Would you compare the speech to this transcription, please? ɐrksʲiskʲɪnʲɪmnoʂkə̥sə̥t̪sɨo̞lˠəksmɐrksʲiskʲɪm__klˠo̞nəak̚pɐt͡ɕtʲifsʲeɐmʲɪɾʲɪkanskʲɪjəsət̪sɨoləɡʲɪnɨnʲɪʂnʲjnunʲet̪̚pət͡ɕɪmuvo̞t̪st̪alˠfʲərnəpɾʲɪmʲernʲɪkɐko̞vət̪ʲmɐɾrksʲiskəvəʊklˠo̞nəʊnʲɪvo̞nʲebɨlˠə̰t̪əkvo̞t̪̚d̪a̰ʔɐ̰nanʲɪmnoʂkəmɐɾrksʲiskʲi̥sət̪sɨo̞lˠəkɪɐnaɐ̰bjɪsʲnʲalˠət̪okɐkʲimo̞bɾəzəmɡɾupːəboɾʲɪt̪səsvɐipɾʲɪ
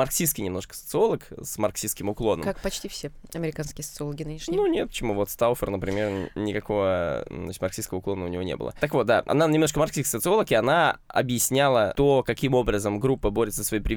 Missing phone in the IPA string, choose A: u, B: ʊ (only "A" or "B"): B